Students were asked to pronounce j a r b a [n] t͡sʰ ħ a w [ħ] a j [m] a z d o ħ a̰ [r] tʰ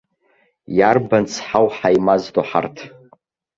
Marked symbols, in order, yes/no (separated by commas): yes, yes, yes, yes